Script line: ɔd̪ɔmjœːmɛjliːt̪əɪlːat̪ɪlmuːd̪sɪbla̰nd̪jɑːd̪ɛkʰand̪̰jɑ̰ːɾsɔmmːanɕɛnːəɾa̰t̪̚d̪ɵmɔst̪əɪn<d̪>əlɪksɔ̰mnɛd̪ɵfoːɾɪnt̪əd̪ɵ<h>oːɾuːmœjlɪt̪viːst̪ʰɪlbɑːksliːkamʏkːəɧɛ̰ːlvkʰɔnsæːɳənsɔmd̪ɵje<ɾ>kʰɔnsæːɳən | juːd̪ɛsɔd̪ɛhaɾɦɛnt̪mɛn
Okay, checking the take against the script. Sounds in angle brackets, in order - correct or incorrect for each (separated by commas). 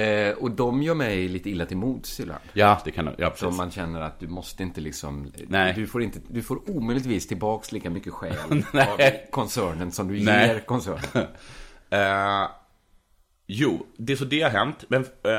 incorrect, incorrect, correct